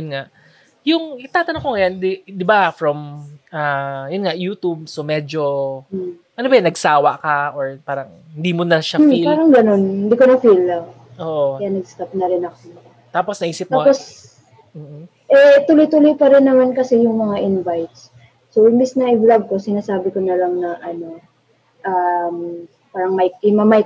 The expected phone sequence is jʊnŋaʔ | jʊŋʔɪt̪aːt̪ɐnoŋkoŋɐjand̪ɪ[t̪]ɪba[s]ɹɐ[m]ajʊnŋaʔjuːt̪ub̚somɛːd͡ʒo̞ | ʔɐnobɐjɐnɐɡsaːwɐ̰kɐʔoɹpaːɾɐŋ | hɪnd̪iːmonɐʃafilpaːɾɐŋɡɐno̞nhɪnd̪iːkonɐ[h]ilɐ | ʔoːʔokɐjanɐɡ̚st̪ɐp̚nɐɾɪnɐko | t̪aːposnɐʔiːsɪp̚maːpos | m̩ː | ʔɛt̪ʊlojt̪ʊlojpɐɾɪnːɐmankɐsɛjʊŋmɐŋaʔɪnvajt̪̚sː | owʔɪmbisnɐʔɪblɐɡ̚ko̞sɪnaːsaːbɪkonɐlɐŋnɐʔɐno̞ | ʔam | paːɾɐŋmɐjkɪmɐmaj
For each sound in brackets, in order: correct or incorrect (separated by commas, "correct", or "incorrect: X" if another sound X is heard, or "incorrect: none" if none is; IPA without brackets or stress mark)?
incorrect: d̪, incorrect: f, correct, incorrect: f